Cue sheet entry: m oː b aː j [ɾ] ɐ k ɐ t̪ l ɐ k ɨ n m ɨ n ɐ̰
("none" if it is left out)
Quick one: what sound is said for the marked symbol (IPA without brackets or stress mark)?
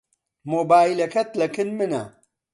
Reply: l